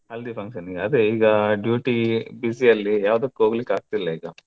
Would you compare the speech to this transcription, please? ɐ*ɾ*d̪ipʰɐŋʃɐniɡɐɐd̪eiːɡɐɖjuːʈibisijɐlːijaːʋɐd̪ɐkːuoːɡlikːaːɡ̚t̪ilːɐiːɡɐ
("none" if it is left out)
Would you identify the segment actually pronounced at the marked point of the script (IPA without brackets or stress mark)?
l